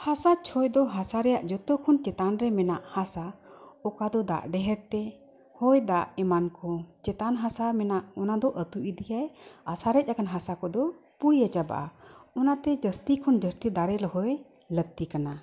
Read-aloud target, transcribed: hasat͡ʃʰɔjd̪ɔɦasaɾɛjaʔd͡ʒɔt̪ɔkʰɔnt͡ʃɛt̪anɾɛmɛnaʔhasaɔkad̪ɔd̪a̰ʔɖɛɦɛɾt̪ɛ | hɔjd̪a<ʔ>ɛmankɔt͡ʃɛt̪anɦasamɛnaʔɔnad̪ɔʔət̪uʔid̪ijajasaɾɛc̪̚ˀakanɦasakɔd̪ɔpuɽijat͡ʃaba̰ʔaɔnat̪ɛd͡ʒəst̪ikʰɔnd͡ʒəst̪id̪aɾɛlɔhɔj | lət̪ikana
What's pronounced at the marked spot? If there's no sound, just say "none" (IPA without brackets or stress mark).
ʔ